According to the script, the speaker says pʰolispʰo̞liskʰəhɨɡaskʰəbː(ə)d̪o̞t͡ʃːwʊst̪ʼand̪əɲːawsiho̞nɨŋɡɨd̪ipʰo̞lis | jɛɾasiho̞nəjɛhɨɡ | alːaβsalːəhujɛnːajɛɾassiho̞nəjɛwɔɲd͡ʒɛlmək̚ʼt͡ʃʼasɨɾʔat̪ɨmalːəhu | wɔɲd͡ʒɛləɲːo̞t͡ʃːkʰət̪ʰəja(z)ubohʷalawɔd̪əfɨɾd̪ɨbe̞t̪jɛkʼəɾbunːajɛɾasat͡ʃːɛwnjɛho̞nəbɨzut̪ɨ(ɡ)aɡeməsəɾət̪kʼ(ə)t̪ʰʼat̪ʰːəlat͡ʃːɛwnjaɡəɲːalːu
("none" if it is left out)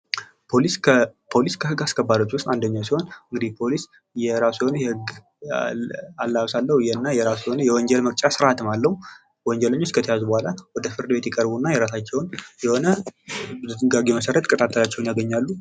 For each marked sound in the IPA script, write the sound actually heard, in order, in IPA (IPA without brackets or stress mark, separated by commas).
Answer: a, z, ɡ, ə